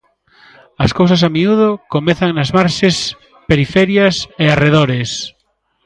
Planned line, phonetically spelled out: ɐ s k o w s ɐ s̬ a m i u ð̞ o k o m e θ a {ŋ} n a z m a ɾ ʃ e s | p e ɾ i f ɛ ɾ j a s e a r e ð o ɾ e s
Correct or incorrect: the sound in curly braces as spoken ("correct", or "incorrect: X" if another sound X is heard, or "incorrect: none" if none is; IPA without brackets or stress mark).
correct